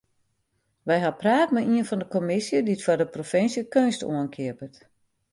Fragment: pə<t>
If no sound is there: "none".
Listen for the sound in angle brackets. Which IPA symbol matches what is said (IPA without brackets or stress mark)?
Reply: t